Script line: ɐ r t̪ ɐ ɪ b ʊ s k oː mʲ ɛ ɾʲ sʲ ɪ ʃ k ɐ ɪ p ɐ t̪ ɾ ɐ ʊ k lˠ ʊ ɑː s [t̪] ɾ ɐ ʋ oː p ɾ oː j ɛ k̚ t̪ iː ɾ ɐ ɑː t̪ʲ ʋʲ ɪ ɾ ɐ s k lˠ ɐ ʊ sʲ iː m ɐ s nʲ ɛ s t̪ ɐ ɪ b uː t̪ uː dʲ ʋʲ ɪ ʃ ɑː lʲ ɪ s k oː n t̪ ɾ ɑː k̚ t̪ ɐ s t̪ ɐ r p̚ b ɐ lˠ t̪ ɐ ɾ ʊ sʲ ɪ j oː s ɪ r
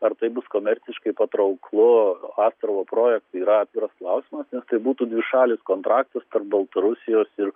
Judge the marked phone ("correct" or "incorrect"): correct